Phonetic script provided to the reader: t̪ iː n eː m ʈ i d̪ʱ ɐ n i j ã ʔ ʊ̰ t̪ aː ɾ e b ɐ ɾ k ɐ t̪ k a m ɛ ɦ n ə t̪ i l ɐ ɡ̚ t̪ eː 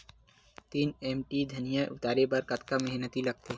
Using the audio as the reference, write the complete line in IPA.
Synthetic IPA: t̪ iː n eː m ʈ i d̪ʱ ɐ n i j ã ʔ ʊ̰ t̪ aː ɾ e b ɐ ɾ k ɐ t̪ k a m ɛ ɦ n ə t̪ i l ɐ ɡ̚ t̪ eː